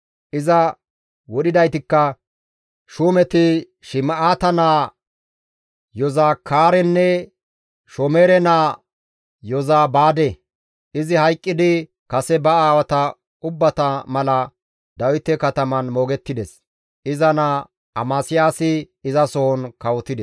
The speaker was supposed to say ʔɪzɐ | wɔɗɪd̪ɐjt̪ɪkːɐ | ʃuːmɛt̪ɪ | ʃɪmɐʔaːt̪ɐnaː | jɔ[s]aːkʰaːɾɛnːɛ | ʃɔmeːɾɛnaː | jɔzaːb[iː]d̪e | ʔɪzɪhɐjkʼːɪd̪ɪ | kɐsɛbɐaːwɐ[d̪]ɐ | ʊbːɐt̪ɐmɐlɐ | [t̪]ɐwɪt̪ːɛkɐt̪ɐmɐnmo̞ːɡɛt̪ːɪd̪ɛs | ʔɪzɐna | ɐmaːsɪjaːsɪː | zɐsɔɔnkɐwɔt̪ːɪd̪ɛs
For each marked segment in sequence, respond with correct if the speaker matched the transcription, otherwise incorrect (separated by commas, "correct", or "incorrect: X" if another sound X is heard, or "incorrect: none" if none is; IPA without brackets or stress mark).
incorrect: z, incorrect: aː, incorrect: t̪, incorrect: d̪